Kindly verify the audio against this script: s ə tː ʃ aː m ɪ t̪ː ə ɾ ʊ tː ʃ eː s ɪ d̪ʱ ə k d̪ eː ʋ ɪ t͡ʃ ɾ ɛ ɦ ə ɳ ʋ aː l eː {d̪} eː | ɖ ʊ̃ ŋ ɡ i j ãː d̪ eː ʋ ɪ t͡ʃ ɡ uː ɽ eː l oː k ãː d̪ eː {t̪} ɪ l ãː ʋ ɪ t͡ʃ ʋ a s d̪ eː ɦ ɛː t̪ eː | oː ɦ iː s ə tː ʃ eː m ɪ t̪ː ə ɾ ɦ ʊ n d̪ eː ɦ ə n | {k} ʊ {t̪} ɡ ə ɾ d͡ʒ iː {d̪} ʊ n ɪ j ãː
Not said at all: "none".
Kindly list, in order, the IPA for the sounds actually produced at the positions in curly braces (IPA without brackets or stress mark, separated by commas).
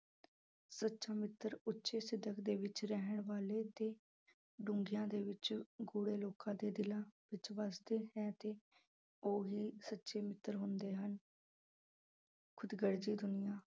t̪, d̪, kʰ, d̪, d̪